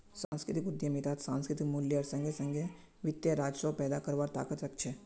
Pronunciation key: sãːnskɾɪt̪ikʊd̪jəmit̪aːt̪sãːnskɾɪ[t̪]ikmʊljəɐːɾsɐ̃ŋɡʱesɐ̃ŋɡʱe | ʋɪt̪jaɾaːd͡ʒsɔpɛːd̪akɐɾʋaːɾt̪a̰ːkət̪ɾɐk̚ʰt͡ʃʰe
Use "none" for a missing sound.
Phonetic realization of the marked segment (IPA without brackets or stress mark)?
t̪